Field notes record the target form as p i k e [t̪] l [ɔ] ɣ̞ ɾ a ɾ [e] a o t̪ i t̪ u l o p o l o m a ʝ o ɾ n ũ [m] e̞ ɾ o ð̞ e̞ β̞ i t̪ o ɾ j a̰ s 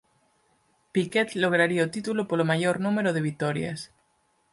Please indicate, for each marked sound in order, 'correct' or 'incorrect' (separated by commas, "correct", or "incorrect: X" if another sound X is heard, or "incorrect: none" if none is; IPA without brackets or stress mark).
correct, incorrect: o, incorrect: i, correct